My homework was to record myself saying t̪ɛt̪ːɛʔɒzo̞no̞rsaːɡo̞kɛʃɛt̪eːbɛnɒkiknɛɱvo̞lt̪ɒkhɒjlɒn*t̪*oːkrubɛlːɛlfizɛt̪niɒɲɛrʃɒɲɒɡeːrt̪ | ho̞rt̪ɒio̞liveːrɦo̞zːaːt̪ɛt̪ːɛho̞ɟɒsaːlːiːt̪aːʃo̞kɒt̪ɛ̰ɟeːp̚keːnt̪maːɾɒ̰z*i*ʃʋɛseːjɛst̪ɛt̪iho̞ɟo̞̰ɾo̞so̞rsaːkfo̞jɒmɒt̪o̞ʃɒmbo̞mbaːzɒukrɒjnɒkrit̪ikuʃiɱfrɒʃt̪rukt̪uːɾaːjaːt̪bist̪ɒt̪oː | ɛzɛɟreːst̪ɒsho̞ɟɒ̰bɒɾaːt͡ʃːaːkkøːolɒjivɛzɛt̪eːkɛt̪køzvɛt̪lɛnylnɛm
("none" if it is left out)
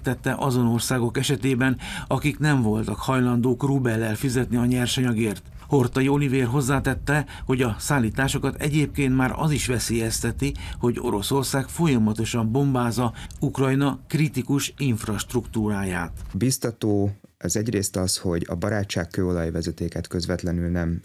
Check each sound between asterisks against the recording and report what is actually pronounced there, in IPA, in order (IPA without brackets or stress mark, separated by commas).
d̪, i